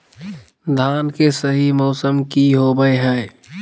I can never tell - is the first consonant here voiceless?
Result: no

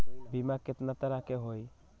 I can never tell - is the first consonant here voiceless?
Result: no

